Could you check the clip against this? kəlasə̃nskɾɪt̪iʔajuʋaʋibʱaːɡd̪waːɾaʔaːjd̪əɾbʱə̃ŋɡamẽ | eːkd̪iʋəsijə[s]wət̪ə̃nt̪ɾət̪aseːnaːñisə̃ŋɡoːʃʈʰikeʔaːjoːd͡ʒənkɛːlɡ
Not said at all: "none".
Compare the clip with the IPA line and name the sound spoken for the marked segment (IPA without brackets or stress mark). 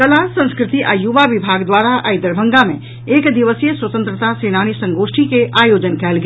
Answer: s